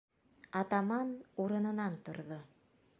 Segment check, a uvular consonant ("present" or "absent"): absent